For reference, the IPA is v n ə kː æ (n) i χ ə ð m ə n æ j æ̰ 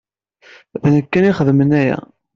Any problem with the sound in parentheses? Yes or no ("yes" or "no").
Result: no